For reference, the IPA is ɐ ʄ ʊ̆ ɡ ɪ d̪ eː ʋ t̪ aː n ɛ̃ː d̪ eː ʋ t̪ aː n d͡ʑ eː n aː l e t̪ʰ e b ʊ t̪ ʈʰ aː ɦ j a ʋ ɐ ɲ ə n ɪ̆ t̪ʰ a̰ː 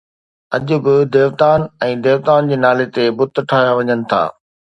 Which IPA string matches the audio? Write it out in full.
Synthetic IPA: ɐ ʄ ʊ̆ b ɪ d̪ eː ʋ t̪ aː n ɛ̃ː d̪ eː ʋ t̪ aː n d͡ʑ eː n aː l e t̪ e b ʊ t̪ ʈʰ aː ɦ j a ʋ ɐ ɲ ə n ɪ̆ t̪ʰ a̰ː

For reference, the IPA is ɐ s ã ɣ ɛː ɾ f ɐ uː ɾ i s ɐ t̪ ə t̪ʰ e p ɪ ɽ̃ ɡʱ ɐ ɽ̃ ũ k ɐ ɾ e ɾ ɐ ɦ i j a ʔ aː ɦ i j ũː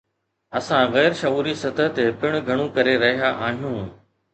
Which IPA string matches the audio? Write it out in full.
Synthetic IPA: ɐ s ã ɣ ɛː ɾ ʃ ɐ uː ɾ i s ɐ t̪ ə t̪ e p ɪ ɽ̃ ɡʱ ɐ ɽ̃ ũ k ɐ ɾ e ɾ ɐ ɦ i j a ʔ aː ɦ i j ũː

